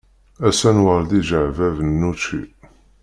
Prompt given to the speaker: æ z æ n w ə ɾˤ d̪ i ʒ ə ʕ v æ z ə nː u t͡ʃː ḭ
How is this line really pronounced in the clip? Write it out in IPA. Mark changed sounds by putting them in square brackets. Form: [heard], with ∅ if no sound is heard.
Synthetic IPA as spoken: æ [s] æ n w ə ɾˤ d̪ i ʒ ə ʕ v æ [v] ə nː u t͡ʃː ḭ